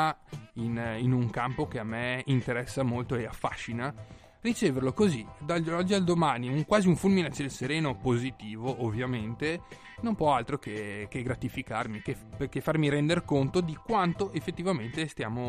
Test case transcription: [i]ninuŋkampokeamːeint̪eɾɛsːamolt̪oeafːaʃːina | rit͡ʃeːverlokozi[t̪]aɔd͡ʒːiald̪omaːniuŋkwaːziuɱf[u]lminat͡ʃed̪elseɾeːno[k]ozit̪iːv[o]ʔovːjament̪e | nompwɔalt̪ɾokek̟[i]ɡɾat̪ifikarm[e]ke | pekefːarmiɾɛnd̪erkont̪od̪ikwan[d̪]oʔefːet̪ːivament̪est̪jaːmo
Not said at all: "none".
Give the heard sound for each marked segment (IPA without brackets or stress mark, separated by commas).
i, d̪, u, p, o, e, i, t̪